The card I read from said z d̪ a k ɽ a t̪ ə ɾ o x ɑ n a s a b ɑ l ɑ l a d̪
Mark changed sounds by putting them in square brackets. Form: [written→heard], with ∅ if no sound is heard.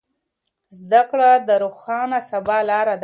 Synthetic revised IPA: z d̪ a k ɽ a [t̪→d̪] ə ɾ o x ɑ n a s a b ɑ l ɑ [l→ɾ] a d̪